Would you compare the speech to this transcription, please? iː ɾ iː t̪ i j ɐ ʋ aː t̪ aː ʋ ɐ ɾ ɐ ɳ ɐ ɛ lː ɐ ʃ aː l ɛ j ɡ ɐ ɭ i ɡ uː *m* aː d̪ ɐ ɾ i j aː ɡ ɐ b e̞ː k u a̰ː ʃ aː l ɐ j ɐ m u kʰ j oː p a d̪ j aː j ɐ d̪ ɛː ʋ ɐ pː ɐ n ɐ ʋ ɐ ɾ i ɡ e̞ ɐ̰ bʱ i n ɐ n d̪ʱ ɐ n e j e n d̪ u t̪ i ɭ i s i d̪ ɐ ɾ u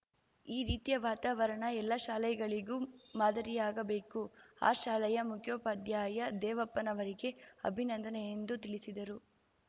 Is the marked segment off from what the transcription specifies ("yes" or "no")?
no